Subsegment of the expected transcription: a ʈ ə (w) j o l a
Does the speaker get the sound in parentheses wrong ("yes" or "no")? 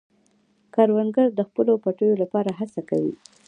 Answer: yes